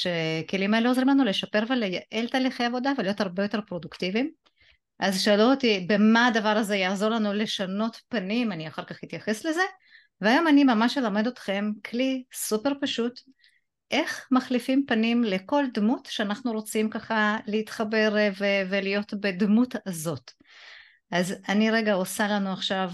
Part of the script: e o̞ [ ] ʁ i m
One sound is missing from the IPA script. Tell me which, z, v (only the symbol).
z